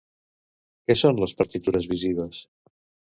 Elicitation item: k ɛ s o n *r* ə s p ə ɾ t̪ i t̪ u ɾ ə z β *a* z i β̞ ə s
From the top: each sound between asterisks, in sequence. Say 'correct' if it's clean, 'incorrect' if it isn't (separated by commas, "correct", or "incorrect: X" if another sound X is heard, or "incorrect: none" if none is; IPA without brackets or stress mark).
incorrect: l, incorrect: i